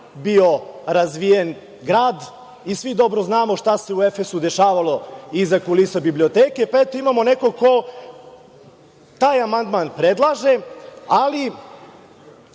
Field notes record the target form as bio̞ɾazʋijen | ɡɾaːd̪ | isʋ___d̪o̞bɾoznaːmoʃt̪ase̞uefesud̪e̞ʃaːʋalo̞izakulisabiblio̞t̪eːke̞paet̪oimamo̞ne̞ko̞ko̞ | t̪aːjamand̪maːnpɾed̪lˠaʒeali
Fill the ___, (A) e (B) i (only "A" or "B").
B